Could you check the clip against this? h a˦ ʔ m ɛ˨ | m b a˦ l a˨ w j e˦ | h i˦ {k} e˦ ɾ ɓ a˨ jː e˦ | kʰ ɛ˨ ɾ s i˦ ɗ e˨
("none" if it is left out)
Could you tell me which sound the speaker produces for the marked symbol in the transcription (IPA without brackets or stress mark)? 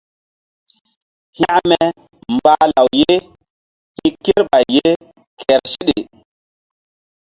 k